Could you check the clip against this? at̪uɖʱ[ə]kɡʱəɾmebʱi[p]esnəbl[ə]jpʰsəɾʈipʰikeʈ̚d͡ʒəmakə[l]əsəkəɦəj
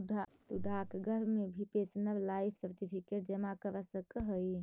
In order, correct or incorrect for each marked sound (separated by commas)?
incorrect, correct, incorrect, incorrect